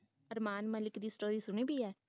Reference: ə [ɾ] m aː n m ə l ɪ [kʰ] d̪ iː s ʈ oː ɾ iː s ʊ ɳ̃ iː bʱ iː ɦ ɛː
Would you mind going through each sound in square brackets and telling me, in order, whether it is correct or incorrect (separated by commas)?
correct, incorrect